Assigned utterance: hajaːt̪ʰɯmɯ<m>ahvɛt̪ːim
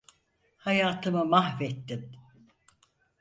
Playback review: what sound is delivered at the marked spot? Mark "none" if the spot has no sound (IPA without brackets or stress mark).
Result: m